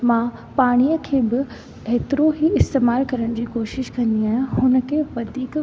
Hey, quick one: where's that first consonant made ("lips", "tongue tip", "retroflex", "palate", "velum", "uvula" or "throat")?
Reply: lips